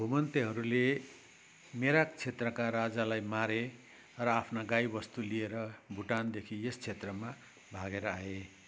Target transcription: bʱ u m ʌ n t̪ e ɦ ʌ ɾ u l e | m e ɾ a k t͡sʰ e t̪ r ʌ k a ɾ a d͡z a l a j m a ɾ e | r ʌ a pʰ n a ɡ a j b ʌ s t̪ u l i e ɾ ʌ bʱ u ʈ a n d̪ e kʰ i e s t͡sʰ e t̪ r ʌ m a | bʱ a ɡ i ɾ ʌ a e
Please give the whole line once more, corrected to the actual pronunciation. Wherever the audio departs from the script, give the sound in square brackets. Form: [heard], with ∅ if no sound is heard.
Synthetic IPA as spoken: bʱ u m ʌ n t̪ e ɦ ʌ ɾ u l e | m e ɾ a k t͡sʰ e t̪ r ʌ k a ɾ a d͡z a l a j m a ɾ e | r ʌ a pʰ n a ɡ a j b ʌ s t̪ u l i e ɾ ʌ bʱ u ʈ a n d̪ e kʰ i e s t͡sʰ e t̪ r ʌ m a | bʱ a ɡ [e] ɾ ʌ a e